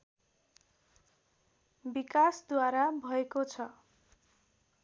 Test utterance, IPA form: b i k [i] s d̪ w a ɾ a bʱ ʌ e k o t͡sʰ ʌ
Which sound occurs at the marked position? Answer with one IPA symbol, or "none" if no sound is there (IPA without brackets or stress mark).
a